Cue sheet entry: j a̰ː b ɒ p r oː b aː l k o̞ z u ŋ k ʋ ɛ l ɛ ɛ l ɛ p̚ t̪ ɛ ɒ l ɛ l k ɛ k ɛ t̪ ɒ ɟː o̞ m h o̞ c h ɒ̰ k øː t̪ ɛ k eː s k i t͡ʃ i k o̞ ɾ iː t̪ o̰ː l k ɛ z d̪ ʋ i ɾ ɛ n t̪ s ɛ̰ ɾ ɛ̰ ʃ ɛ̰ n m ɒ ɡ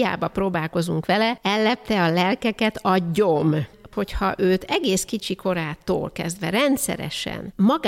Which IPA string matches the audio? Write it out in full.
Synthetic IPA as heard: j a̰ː b ɒ p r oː b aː l k o̞ z u ŋ k ʋ ɛ l ɛ ɛ lː ɛ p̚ t̪ ɛ ɒ l ɛ l k ɛ k ɛ t̪ ɒ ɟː o̞ m h o̞ c h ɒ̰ ʔ øː t̪ ɛ ɡ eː s k i t͡ʃ i k o̞ ɾ aː t̪ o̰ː l k ɛ z d̪ ʋ ɛ ɾ ɛ n t̪ s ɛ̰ ɾ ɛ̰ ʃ ɛ̰ n m ɒ ɡ